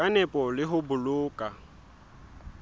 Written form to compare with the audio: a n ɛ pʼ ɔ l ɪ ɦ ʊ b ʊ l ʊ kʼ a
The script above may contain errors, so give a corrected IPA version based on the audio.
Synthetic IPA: a n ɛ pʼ ɔ l ɪ ɦ ʊ b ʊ l ʊː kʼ a